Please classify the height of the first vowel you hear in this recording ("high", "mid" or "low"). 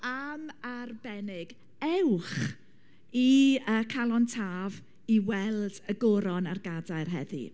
low